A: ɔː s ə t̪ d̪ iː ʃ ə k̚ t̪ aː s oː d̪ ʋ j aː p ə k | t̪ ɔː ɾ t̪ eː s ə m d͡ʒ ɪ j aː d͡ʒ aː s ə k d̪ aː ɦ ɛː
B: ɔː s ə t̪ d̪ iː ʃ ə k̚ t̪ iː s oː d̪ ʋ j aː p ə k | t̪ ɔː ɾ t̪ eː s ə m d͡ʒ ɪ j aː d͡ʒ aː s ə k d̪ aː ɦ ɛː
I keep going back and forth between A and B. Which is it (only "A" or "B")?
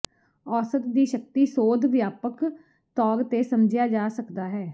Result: B